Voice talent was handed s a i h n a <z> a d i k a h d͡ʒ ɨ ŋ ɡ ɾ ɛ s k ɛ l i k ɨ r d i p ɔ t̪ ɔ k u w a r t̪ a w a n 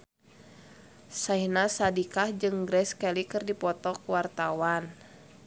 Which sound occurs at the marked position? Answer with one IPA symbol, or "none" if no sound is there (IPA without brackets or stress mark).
s